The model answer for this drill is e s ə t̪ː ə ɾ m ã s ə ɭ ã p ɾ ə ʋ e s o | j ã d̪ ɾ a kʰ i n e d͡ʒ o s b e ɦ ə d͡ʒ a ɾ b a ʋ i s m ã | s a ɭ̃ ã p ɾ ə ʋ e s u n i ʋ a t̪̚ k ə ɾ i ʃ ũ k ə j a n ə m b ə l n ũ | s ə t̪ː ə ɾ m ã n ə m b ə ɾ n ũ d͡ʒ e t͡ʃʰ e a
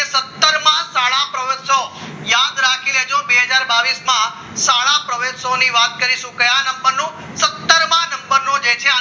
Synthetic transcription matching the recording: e s ə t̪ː ə ɾ m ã s a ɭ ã p ɾ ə ʋ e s o | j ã d̪ ɾ a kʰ i n e d͡ʒ o b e ɦ ə d͡ʒ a ɾ b a ʋ i s m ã | s a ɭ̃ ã p ɾ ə ʋ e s o n i ʋ a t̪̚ k ə ɾ i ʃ ũ k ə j a n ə m b ə ɾ n ũ | s ə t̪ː ə ɾ m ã n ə m b ə ɾ n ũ d͡ʒ e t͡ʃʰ e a